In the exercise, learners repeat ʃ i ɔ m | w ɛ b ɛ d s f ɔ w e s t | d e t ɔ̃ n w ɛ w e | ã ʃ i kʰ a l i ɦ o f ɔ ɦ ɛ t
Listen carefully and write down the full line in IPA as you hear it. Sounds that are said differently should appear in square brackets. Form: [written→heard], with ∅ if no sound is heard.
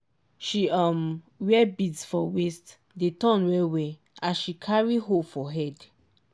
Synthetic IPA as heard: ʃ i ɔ m | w ɛ b [ɛ→i] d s f ɔ w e s t | d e t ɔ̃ n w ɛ w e | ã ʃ i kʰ a [l→ɹ] i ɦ o f ɔ ɦ ɛ [t→d]

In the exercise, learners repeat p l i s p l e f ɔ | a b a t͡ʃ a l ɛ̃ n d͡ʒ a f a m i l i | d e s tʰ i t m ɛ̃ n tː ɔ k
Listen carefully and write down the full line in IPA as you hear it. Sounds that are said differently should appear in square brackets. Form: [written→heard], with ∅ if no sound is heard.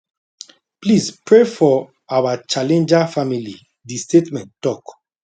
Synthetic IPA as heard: p l i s p [l→ɹ] e f ɔ | a [b→w] a t͡ʃ a l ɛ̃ n d͡ʒ a f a m i l i | d [e→i] s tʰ [i→e] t m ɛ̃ n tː ɔ k

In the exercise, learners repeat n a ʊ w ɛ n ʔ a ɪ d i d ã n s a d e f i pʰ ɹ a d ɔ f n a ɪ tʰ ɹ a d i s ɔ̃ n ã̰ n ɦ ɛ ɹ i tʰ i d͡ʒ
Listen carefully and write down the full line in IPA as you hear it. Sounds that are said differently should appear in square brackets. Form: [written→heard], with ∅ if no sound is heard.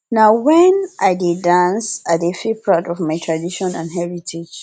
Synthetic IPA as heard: n a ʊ w ɛ n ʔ a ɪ d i d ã n s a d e f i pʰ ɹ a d ɔ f [n→m] a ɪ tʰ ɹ a d i [s→ʃ] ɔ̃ n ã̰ n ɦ ɛ ɹ i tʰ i d͡ʒ

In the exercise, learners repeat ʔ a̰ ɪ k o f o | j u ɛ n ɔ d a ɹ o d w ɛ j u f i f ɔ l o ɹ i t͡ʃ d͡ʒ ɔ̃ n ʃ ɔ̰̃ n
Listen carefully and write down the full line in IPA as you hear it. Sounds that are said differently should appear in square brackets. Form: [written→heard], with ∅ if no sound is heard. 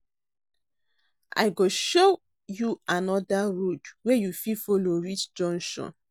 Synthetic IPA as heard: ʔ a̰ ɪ [k→ɡ] o [f→ʃ] o | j u [ɛ→a] n ɔ d a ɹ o d w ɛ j u f i f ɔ l o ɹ i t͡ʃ d͡ʒ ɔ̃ n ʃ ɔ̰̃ n

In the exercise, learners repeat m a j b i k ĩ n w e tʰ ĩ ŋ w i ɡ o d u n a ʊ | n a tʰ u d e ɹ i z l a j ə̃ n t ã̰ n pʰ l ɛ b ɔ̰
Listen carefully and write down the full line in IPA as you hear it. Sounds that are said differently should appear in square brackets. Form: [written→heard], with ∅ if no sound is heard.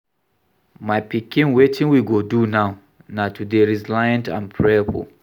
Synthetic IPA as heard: m a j [b→p] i k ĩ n w e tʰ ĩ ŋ w i ɡ o d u n a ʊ | n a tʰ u d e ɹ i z l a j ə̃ n t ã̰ n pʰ [l→ɹ] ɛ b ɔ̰

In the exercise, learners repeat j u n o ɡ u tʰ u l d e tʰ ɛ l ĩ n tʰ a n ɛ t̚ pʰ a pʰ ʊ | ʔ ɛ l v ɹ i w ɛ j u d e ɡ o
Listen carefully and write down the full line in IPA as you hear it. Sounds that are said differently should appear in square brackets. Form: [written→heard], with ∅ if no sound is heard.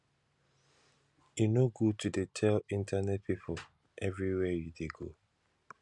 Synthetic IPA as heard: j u n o ɡ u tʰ u [l→∅] d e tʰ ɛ l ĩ n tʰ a n ɛ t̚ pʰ [a→i] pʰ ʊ | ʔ ɛ [l→∅] v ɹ i w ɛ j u d e ɡ o

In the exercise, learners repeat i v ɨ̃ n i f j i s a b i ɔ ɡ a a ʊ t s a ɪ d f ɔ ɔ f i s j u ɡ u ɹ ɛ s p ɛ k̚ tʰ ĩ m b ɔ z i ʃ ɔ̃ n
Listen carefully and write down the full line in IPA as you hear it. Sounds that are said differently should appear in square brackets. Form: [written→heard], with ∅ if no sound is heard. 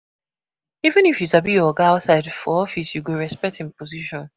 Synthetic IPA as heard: i v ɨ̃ n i f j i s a b i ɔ ɡ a a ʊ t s a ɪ d f ɔ ɔ f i s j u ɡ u ɹ ɛ s p ɛ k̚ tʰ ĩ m [b→p] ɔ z i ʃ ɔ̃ n

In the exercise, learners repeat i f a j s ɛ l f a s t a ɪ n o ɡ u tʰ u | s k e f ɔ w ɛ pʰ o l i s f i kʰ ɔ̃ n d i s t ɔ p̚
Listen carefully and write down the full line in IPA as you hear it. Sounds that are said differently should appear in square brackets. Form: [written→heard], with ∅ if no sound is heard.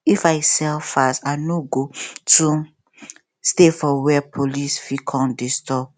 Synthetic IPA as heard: i f a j s ɛ l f a s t a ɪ n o ɡ [u→o] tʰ u | s [k→t] e f ɔ w ɛ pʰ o l i s f i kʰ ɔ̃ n d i s t ɔ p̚

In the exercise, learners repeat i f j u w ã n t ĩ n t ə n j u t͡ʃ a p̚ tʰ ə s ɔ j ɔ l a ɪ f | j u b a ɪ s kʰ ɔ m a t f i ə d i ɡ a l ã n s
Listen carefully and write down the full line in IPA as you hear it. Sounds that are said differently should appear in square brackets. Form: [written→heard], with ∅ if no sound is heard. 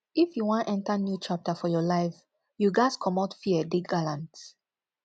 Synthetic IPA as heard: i f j u w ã n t [ĩ→ɛ̃] n t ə n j u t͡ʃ a p̚ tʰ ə [s→f] ɔ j ɔ l a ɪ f | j u [b→ɡ] a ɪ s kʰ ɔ m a t f i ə d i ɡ a l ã n [s→t]

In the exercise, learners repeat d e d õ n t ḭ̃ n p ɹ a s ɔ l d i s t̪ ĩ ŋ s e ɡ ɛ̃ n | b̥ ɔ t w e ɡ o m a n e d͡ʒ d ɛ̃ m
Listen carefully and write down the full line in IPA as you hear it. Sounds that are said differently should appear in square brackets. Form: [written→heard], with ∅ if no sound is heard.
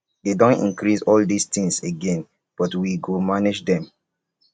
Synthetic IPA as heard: d e d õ n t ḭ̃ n [p→k] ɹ [a→i] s ɔ l d i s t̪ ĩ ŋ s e ɡ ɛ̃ n | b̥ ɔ t w [e→i] ɡ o m a n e d͡ʒ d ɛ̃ m

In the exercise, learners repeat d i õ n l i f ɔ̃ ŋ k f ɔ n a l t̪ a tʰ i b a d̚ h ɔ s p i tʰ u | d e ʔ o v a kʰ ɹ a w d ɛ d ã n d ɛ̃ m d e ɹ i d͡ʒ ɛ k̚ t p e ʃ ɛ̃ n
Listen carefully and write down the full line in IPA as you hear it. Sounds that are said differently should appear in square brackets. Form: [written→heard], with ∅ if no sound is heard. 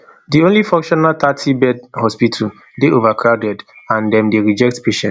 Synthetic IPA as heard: d i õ n l i f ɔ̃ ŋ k [f→ʃ] ɔ n a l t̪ a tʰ i b [a→ɛ] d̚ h ɔ s p i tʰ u | d e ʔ o v a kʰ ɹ a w d ɛ d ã n d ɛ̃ m d e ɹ i d͡ʒ ɛ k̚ t p e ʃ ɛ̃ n

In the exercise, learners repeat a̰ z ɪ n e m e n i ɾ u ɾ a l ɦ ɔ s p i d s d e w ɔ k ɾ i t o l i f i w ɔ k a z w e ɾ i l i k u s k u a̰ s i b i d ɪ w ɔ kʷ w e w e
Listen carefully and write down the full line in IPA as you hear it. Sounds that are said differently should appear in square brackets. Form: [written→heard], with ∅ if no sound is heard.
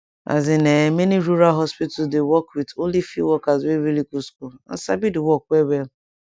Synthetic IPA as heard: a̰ z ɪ n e m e n i ɾ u ɾ a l ɦ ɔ s p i [d→t] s d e w ɔ k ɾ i t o l i f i w ɔ k a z w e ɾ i l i k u s k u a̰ s [i→a] b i d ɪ w ɔ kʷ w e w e

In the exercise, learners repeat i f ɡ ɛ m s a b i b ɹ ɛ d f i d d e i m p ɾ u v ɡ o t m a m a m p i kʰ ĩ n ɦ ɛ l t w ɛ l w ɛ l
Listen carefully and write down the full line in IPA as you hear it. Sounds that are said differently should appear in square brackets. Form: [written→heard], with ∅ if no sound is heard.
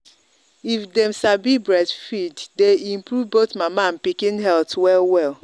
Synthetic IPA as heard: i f [ɡ→d] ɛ m s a b i b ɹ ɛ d f i d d e i m p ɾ u v [ɡ→b] o t m a m a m p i [kʰ→k] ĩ n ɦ ɛ l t w ɛ l w ɛ l

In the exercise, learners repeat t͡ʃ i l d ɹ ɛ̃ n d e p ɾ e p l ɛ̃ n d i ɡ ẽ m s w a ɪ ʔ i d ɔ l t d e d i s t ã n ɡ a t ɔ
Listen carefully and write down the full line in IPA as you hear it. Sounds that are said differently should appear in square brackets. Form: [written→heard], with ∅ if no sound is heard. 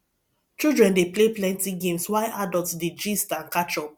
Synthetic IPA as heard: t͡ʃ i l d ɹ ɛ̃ n d e p [ɾ→l] e p l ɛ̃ n [d→t] i ɡ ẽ m s w a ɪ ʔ [i→a] d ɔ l t d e [d→d͡ʒ] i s t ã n [ɡ→k] a [t→t͡ʃ] ɔ

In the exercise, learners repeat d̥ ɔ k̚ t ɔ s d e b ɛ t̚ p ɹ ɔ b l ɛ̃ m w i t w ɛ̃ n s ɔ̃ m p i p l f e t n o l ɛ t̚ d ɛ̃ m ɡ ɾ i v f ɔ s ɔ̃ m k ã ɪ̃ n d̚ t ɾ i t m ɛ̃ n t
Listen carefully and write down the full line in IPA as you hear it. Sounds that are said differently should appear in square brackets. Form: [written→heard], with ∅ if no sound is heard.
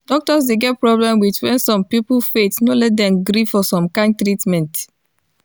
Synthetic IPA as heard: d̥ ɔ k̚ t ɔ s d e [b→ɡ] ɛ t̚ p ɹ ɔ b l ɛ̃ m w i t w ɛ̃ n s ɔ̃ m p i p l f e t n o l ɛ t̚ d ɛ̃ m ɡ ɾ i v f ɔ s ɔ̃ m k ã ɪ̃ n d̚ t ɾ i t m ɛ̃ n t

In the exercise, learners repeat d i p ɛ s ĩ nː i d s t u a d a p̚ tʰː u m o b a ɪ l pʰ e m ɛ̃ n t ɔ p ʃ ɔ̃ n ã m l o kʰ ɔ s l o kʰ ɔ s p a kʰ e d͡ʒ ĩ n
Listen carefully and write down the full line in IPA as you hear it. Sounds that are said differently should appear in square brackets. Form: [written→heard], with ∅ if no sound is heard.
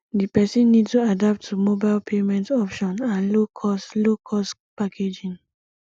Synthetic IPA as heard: d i p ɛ s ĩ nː i d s t u a d a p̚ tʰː u m o b a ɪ l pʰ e m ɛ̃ n t ɔ p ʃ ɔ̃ n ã [m→n] l o kʰ ɔ s l o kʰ ɔ s p a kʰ e d͡ʒ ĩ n

